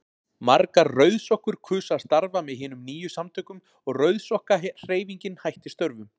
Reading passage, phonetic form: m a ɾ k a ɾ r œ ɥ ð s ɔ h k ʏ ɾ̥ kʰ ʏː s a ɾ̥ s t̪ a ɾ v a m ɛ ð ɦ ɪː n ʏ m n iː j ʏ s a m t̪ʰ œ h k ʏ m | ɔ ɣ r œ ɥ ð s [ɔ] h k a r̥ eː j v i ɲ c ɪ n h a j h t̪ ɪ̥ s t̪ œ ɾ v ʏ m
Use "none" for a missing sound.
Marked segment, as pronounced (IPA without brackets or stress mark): ɔ